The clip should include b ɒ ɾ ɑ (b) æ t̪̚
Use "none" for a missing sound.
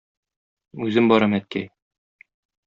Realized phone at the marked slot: m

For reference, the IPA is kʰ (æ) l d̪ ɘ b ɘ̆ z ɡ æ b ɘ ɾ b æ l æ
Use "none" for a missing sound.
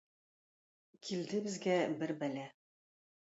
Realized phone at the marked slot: i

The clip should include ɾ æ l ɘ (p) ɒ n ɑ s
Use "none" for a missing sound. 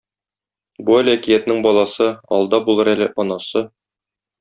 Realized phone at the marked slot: ʔ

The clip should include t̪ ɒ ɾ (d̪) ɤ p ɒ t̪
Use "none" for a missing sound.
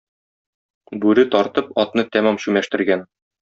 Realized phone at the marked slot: t̪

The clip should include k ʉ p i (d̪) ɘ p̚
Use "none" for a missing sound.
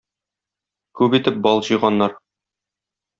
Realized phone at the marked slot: t̪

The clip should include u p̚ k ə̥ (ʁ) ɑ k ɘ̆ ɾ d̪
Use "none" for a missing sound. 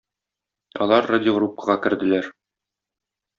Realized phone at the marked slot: ʁ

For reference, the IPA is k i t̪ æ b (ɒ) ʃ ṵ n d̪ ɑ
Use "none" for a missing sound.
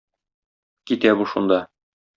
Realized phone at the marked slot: u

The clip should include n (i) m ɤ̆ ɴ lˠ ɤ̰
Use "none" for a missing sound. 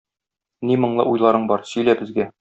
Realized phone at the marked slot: i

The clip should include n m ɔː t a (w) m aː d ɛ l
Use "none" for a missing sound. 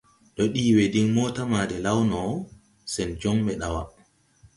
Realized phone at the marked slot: none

